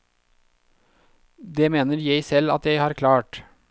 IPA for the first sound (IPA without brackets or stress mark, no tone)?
d̪